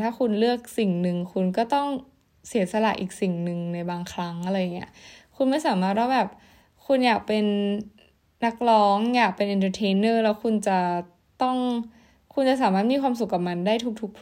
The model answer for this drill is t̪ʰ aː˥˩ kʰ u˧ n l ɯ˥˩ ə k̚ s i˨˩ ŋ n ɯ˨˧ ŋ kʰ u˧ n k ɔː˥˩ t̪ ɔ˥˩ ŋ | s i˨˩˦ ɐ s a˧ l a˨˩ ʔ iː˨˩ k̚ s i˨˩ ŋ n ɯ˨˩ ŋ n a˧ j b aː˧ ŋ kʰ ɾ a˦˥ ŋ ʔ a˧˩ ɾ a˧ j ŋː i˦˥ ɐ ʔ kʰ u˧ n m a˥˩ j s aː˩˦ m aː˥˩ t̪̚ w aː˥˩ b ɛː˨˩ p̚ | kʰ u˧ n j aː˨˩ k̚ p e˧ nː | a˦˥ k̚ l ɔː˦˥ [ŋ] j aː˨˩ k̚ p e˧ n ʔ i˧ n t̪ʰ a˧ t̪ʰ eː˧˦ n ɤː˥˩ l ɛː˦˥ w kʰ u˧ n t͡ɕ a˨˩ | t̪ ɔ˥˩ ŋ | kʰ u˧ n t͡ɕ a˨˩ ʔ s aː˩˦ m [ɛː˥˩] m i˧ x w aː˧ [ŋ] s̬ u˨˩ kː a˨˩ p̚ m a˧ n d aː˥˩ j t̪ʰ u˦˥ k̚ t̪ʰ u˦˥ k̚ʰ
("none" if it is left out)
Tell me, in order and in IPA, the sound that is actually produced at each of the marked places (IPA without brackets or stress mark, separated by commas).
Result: ŋ, aː˥˩, m